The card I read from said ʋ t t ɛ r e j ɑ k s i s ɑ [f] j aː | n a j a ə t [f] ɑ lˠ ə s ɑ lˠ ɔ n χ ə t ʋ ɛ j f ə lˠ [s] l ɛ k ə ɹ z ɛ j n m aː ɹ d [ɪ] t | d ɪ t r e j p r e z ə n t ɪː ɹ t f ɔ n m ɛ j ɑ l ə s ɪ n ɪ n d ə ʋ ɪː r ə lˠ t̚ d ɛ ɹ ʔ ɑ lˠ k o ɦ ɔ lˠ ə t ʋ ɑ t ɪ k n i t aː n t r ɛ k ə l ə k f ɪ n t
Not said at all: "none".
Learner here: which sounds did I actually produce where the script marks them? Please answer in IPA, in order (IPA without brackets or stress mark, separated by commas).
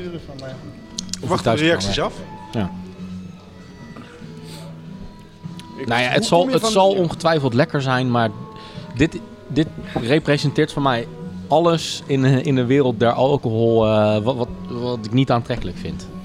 f, s, t, ɪ